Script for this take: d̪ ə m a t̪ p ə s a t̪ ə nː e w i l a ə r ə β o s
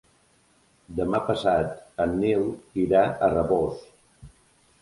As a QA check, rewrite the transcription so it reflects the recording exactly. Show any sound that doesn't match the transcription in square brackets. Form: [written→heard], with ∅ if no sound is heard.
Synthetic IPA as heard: d̪ ə m a [t̪→∅] p ə s a t̪ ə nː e w i [l→ɾ] a ə r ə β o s